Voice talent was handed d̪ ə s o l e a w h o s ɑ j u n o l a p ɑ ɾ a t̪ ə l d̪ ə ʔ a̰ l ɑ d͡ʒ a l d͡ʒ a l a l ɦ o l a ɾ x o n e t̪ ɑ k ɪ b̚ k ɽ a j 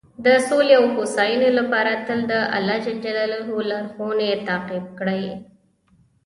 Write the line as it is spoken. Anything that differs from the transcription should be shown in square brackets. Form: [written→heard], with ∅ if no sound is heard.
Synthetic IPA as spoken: d̪ ə s o l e a w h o s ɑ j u n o l a p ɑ ɾ a t̪ ə l d̪ ə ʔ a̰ l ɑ d͡ʒ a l d͡ʒ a l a l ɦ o l a ɾ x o n e t̪ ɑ [k→q] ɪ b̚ k ɽ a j